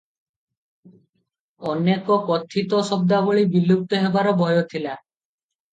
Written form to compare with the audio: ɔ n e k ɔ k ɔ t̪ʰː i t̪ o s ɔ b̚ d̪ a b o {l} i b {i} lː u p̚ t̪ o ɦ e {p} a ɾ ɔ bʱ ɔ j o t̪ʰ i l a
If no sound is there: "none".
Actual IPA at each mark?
ɭ, i, b

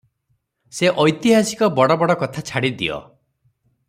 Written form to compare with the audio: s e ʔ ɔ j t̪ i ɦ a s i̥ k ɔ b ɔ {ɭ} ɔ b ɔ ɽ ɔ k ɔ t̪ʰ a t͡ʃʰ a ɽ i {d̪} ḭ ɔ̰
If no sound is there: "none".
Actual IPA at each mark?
ɽ, d̪

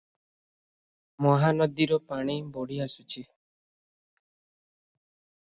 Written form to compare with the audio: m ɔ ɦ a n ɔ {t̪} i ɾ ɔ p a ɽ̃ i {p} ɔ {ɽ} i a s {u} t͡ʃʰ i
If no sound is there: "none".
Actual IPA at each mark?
d̪, b, ɽ, u

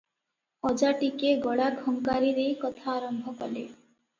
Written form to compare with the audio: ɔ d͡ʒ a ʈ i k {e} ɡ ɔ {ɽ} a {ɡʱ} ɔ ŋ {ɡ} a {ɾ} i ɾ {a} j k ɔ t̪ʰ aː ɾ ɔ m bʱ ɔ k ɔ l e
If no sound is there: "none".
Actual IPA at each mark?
e, ɽ, ɡʱ, k, ɾ, e

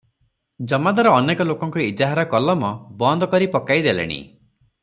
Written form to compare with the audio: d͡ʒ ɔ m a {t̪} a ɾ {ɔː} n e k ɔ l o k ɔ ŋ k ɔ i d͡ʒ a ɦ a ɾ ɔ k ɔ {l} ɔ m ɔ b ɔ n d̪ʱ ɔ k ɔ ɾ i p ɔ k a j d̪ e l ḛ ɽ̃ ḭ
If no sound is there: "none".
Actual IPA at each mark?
d̪, ɔː, l

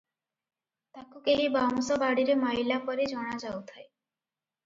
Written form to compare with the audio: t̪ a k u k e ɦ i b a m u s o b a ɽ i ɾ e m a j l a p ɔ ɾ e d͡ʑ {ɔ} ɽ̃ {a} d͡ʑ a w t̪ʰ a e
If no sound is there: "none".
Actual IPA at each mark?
ɔ, a

